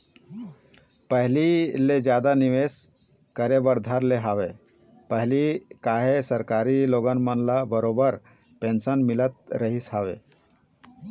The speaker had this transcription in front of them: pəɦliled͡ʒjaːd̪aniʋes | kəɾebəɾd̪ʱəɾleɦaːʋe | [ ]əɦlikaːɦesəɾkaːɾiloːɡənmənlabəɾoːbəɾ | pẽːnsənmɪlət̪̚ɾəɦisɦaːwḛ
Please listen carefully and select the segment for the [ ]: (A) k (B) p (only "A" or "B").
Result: B